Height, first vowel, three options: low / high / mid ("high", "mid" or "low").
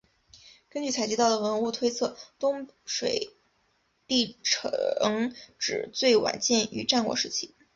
mid